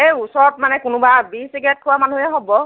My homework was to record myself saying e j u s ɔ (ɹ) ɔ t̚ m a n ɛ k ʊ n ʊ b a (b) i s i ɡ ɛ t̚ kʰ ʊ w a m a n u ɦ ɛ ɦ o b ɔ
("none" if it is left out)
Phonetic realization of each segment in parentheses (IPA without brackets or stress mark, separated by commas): ɹ, b